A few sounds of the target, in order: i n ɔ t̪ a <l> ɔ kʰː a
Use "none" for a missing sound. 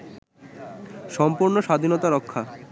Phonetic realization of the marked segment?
ɾ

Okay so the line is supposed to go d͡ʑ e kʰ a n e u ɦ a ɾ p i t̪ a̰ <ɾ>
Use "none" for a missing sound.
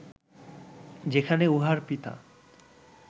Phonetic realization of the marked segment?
none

